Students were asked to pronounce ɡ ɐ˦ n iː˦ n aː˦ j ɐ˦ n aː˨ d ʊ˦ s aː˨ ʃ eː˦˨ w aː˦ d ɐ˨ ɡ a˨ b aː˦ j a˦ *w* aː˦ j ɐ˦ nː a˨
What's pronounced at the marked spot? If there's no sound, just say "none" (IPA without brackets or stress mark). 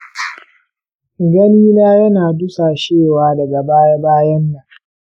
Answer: b